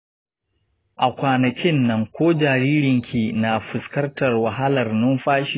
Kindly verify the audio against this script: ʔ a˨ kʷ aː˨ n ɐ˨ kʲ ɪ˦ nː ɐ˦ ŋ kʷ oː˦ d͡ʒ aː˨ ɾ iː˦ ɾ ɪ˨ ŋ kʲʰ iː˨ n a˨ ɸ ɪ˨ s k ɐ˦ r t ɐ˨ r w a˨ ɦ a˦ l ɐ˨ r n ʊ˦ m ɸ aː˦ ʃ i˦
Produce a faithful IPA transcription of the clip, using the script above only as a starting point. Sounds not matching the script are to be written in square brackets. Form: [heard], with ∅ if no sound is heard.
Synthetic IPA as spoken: ʔ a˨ kʷ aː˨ n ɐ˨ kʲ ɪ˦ nː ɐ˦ ŋ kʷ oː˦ d͡ʒ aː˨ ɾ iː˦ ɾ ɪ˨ ŋ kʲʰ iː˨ n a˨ ɸ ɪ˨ s k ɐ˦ r t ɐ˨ r w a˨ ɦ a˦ l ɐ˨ r n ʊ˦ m ɸ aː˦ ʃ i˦

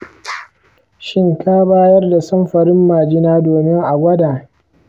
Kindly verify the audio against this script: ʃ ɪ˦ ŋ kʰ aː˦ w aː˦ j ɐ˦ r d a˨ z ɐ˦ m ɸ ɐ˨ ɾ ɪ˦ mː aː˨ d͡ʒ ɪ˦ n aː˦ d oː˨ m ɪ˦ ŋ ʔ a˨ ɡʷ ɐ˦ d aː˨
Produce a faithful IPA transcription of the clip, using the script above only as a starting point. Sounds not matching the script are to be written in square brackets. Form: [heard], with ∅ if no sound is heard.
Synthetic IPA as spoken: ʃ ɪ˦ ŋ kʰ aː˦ [b] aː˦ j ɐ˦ r d a˨ [s] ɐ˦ m ɸ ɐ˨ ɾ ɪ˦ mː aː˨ d͡ʒ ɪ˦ n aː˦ d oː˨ m ɪ˦ ŋ ʔ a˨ ɡʷ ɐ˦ d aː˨

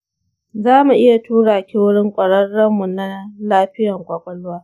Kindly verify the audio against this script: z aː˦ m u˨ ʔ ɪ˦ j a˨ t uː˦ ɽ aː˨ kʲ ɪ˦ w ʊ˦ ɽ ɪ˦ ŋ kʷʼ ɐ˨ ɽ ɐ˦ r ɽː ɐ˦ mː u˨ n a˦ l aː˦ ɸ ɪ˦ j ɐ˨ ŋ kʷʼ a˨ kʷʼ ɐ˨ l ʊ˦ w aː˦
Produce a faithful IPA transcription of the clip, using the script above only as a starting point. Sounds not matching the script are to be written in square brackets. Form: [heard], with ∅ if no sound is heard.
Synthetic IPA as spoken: z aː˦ m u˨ ʔ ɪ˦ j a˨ t uː˦ ɽ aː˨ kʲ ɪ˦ w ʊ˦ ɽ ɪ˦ ŋ kʷʼ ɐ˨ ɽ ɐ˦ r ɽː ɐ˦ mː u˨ n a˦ l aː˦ ɸ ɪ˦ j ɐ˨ ŋ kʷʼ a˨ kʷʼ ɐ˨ l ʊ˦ w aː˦

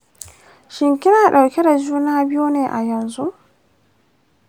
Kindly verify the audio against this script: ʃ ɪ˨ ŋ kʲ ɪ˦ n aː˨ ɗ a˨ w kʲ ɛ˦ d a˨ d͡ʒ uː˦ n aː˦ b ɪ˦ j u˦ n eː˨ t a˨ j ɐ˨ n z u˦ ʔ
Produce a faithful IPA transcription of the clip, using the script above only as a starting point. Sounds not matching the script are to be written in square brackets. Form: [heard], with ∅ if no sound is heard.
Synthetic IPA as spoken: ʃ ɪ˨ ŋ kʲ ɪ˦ n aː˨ ɗ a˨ w kʲ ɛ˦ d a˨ d͡ʒ uː˦ n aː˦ b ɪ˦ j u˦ n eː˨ [ʔ] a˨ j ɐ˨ n z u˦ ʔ

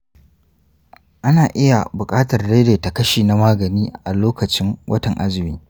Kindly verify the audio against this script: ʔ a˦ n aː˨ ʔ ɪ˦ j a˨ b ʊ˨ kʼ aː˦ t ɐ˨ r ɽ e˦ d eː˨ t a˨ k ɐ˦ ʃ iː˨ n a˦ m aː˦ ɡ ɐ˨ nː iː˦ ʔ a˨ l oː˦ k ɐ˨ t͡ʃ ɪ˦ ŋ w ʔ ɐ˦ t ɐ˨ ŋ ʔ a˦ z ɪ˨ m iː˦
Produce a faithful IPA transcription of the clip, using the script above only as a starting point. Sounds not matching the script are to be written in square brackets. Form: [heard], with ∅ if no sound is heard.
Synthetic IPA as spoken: ʔ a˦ n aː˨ ʔ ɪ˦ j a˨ b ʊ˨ kʼ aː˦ t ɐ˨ r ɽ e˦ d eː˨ t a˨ k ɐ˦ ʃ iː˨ n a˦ m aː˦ ɡ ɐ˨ [n] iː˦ ʔ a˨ l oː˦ k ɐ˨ t͡ʃ ɪ˦ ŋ w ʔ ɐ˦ t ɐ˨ ŋ ʔ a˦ z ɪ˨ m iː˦

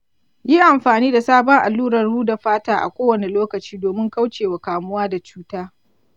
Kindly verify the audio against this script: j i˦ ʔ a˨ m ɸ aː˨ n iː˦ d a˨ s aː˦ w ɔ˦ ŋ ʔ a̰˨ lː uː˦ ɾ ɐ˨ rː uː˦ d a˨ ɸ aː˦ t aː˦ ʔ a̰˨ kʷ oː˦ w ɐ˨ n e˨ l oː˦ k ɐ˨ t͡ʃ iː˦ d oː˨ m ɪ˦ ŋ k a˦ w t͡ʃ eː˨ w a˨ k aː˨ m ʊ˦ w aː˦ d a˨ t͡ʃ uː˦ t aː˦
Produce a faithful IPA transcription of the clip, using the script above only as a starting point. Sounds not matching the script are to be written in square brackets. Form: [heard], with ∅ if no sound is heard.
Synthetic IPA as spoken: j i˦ ʔ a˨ m ɸ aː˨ n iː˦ d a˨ s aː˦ [b] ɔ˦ ŋ ʔ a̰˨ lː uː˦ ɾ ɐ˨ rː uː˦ d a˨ ɸ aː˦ t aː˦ ʔ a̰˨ kʷ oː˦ w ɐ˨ n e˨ l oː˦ k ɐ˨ t͡ʃ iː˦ d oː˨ m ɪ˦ ŋ k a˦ w t͡ʃ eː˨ w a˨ k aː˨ m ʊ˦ w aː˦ d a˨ t͡ʃ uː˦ t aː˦

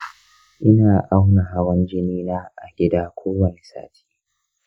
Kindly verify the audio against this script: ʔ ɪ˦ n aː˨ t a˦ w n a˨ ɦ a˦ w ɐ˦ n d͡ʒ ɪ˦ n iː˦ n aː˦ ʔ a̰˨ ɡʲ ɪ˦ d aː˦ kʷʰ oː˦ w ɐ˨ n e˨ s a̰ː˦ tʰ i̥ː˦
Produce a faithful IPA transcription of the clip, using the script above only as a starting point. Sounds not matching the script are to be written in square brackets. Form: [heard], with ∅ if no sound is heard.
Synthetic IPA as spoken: ʔ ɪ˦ n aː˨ [ʔ] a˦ w n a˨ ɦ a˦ w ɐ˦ n d͡ʒ ɪ˦ n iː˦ n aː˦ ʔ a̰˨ ɡʲ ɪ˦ d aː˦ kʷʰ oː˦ w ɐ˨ n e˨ s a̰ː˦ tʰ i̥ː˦

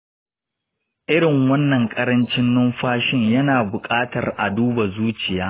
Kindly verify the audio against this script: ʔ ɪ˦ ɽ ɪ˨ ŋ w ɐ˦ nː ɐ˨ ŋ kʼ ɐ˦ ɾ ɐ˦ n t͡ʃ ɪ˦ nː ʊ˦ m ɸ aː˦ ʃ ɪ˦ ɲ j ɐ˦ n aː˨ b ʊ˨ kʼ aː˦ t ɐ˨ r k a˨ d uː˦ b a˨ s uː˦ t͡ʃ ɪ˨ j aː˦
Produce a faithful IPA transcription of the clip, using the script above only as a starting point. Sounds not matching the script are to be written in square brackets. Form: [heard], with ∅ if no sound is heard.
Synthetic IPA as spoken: ʔ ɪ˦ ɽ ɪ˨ ŋ w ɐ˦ nː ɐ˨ ŋ kʼ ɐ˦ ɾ ɐ˦ n t͡ʃ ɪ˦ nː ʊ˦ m ɸ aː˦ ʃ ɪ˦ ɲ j ɐ˦ n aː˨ b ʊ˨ kʼ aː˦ t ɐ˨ r [ʔ] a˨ d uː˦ b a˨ [z] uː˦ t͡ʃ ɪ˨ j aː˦

